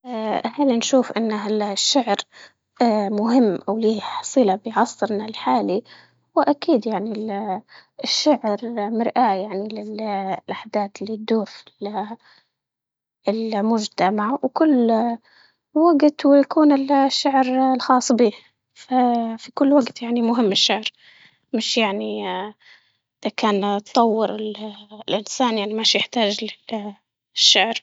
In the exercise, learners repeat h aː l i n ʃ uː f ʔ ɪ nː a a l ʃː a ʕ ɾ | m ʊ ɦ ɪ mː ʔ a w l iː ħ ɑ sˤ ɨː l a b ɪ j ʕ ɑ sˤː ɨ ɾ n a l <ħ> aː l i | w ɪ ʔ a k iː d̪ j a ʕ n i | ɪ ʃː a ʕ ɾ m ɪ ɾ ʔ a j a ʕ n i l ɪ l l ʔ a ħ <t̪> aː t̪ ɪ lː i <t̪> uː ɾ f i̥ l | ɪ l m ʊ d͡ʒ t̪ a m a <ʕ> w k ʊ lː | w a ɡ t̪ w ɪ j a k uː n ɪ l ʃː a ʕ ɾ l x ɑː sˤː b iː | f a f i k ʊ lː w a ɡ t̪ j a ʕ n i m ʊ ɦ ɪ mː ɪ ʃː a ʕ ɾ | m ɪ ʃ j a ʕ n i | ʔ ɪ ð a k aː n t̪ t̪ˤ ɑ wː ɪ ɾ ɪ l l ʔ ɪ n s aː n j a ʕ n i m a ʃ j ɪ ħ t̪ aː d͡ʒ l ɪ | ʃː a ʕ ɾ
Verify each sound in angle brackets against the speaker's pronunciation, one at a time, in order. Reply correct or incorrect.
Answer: correct, incorrect: d̪, incorrect: d̪, correct

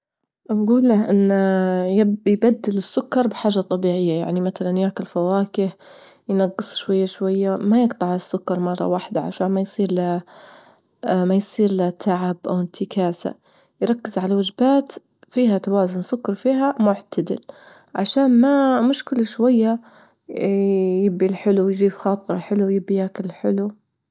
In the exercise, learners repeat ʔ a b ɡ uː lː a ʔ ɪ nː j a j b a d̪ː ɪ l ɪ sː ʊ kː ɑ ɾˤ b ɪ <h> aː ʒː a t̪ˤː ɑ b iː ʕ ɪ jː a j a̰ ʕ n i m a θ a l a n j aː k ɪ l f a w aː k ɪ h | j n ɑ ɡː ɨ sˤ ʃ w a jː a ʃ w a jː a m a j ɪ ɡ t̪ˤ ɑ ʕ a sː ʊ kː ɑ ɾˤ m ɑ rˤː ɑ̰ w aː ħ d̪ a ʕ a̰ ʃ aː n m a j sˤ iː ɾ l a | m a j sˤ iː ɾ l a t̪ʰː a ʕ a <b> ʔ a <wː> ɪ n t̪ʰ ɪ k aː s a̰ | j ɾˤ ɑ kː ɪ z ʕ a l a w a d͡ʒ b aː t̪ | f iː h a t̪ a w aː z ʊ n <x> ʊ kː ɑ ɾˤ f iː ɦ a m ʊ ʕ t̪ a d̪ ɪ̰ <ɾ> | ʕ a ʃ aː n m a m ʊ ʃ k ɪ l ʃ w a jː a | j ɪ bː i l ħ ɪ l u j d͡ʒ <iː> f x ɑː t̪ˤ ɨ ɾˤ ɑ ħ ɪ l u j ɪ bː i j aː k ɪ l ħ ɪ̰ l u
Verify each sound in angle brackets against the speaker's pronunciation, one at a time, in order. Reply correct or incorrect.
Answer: incorrect: ħ, correct, incorrect: w, incorrect: s, incorrect: l, correct

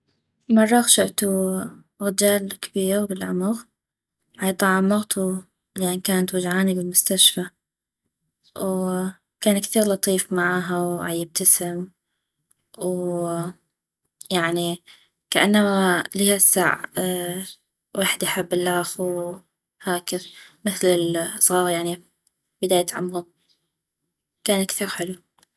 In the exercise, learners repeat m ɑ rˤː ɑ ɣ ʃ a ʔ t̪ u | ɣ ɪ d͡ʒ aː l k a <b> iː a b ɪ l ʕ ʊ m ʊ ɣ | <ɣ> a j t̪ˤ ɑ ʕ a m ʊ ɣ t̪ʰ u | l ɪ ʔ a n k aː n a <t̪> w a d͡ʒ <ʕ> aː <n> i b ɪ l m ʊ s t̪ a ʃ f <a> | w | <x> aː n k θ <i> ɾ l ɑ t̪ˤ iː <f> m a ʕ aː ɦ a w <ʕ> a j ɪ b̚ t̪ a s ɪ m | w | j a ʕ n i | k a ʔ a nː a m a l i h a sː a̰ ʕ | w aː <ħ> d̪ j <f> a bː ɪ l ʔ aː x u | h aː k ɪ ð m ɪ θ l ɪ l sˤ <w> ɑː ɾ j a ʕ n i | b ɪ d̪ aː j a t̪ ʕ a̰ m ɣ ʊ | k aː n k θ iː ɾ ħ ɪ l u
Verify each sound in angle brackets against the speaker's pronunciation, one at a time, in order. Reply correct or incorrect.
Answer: correct, incorrect: ʕ, correct, correct, correct, correct, incorrect: k, incorrect: iː, correct, correct, correct, incorrect: ħ, incorrect: ɣ

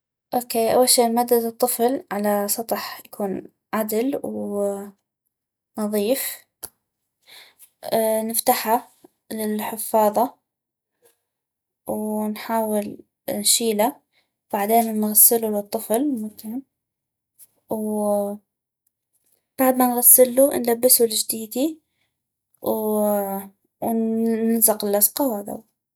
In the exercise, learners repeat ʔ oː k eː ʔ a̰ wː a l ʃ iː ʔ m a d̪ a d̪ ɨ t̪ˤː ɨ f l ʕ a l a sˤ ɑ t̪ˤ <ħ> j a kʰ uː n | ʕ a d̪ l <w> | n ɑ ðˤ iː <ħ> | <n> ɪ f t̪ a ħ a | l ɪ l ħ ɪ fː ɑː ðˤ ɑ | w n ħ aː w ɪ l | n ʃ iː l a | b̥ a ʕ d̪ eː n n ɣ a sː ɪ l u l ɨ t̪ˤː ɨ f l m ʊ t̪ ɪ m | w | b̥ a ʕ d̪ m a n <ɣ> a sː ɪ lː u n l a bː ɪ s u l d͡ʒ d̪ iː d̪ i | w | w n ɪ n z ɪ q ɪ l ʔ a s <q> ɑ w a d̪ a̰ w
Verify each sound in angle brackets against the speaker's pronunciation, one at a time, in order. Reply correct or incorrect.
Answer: correct, correct, incorrect: f, correct, correct, correct

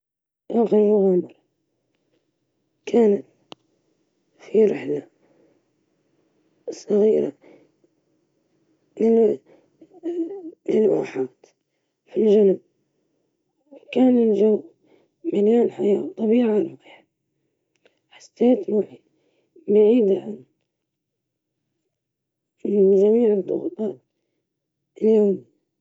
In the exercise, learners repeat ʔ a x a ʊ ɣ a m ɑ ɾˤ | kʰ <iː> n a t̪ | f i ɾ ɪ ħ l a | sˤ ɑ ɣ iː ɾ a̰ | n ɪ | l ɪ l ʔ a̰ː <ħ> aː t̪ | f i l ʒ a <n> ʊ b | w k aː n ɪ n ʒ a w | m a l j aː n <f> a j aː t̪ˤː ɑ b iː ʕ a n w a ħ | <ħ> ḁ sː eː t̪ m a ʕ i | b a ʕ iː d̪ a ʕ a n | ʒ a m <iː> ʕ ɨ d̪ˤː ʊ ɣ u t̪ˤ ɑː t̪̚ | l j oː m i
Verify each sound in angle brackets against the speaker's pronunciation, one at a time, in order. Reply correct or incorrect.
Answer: incorrect: aː, correct, correct, incorrect: ħ, correct, correct

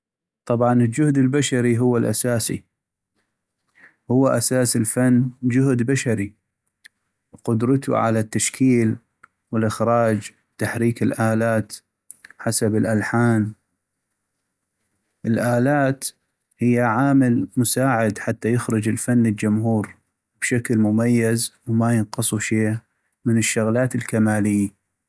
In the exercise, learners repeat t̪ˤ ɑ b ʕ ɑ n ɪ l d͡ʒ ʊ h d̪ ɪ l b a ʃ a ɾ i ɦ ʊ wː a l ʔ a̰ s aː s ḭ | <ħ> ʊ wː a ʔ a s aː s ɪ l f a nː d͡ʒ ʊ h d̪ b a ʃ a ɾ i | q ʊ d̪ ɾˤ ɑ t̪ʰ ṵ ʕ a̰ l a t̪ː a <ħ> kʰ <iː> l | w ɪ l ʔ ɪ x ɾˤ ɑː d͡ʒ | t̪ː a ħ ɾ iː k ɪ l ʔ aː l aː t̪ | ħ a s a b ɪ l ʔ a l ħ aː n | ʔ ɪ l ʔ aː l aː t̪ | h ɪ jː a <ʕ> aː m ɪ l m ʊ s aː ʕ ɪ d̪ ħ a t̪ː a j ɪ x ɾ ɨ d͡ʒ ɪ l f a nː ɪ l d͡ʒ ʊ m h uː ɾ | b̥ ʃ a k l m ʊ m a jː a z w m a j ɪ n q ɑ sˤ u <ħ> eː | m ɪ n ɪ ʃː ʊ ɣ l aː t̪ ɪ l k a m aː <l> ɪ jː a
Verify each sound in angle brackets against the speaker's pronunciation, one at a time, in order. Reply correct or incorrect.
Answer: incorrect: h, incorrect: ʃ, correct, correct, incorrect: ʃ, correct

